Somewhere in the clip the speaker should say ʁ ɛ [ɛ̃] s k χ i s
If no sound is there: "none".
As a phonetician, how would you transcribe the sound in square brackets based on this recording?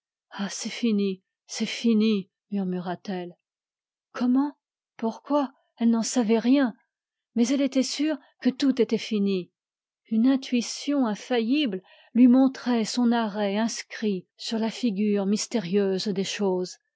ɛ̃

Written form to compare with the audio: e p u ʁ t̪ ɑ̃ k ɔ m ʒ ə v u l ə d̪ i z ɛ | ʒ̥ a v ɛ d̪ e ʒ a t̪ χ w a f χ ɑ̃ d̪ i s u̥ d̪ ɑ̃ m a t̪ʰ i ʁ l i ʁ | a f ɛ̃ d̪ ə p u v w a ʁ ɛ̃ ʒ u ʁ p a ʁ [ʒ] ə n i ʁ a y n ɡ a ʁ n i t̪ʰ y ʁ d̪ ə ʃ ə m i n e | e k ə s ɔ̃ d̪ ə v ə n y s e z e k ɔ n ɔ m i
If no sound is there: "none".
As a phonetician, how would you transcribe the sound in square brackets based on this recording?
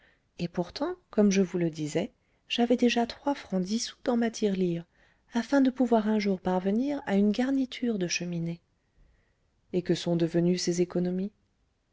v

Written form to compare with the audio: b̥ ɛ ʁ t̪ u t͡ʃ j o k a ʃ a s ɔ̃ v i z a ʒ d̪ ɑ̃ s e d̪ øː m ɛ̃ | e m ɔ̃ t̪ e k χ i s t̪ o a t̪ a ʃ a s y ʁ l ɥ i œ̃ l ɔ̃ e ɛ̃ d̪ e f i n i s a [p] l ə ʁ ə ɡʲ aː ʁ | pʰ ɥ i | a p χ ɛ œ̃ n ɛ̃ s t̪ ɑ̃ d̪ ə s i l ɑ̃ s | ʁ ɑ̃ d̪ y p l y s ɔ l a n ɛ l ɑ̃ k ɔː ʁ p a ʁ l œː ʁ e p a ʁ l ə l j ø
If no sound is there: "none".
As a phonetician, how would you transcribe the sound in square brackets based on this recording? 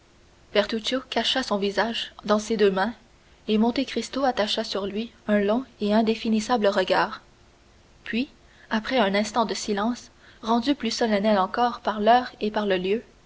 b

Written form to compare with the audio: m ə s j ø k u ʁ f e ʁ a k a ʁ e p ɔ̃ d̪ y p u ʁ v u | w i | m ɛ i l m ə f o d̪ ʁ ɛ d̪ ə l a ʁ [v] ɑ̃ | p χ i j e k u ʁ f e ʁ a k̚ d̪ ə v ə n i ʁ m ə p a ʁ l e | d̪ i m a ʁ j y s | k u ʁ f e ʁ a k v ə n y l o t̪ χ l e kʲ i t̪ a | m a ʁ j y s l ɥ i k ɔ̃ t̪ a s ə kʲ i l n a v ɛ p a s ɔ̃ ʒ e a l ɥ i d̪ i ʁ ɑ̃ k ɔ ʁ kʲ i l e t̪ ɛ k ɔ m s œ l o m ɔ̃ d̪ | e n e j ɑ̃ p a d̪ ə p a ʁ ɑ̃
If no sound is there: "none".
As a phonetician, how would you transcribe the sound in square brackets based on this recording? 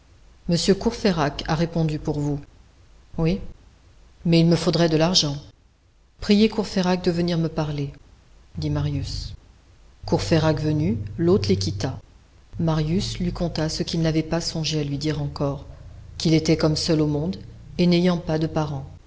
ʒ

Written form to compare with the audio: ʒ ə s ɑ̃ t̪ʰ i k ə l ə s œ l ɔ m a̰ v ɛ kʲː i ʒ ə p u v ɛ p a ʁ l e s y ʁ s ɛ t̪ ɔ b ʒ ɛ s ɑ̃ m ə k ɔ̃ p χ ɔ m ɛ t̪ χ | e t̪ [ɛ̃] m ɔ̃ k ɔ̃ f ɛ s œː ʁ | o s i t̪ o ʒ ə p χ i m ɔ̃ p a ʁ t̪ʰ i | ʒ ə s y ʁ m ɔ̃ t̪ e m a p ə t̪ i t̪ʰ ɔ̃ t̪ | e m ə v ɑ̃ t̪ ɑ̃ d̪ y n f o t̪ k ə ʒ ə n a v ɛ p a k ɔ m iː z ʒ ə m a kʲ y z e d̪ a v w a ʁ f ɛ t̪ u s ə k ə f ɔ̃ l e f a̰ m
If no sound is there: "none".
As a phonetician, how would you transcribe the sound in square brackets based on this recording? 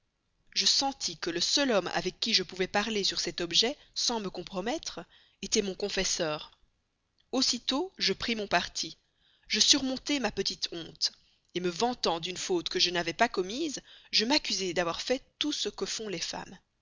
ɛ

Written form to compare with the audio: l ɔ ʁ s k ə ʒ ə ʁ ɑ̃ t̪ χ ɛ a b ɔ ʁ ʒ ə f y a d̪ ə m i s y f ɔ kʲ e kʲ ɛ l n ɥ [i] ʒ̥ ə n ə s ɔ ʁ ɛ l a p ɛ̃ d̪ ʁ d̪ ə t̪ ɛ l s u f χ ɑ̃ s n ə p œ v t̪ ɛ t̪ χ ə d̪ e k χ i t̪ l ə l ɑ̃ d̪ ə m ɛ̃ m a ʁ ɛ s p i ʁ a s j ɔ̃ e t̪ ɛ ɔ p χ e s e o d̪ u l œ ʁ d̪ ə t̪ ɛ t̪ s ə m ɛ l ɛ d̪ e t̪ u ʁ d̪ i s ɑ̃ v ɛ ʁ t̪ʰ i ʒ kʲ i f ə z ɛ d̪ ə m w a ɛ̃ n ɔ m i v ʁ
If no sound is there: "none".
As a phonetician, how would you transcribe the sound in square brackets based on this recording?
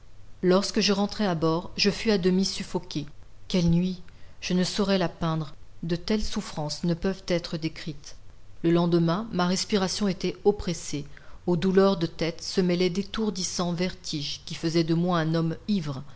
i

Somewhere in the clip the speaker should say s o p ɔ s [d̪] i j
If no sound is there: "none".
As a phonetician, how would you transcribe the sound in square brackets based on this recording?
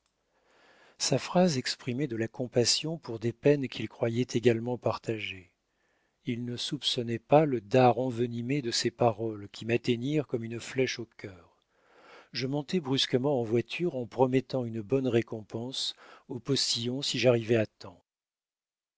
t̪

